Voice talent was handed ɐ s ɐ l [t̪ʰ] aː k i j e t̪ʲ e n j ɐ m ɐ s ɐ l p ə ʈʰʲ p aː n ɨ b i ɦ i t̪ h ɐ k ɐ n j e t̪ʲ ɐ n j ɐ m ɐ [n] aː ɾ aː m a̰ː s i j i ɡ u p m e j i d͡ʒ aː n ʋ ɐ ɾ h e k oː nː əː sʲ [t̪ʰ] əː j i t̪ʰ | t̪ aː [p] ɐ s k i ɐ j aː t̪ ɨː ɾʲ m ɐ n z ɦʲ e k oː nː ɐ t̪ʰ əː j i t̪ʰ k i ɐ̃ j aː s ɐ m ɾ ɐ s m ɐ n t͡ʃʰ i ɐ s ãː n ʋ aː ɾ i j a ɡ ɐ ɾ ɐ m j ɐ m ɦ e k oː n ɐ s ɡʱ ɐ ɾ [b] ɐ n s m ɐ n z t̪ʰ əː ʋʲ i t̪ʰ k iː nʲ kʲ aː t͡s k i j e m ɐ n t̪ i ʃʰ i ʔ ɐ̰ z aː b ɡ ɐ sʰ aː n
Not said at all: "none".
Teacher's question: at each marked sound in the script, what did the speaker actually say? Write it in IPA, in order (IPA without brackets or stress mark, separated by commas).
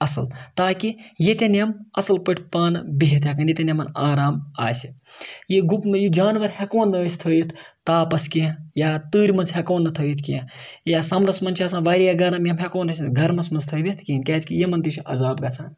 t̪, n, t̪ʰ, p, m